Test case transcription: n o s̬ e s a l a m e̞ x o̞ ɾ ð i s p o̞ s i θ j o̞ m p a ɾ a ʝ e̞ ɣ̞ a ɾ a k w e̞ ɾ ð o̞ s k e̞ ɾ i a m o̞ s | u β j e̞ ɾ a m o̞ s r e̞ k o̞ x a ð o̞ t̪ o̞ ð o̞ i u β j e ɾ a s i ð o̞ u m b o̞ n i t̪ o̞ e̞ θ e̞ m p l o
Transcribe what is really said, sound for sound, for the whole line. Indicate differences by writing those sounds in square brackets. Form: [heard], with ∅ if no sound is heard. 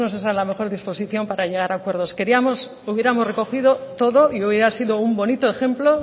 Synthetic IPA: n o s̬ e s a l a m e̞ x o̞ ɾ ð i s p o̞ s i θ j o̞ m p a ɾ a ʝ e̞ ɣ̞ a ɾ a k w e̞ ɾ ð o̞ s k e̞ ɾ i a m o̞ s | u β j e̞ ɾ a m o̞ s r e̞ k o̞ x [i] ð o̞ t̪ o̞ ð o̞ i u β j e ɾ a s i ð o̞ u m b o̞ n i t̪ o̞ e̞ [x] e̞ m p l o